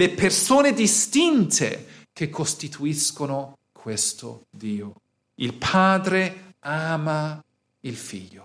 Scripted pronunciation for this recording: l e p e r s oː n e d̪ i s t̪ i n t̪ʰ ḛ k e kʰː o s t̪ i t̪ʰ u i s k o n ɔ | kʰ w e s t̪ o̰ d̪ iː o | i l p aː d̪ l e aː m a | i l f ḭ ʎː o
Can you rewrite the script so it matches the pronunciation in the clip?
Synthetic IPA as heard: l e p e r s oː n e d̪ i s t̪ i n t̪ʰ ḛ k e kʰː o s t̪ i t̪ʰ u i s k o n o | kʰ w e s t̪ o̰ d̪ iː o | i l pʰ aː d̪ ɾ e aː m a | i l f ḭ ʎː o